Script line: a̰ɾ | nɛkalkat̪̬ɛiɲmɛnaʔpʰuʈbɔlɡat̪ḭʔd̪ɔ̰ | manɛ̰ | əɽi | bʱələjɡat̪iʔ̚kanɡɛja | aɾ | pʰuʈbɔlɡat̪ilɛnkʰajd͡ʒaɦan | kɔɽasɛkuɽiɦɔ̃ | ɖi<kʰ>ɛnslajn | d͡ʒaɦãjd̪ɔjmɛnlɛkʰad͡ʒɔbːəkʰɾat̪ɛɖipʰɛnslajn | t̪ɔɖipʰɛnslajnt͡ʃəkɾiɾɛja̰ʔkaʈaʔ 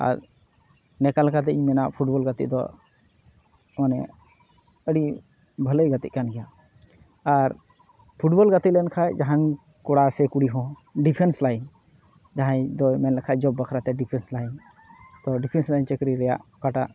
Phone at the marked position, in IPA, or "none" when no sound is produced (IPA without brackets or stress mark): pʰ